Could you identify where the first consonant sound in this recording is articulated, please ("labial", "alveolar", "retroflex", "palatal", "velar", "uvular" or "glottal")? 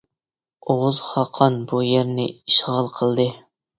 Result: uvular